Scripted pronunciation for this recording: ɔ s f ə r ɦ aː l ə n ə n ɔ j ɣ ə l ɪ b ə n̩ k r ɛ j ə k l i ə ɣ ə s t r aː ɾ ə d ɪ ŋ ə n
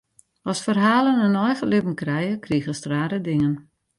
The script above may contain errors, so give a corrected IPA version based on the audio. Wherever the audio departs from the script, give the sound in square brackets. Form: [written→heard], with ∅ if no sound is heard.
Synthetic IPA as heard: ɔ s f ə r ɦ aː l ə n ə n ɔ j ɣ ə l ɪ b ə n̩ k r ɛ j ə k [l→r] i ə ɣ ə s t r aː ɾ ə d ɪ ŋ ə n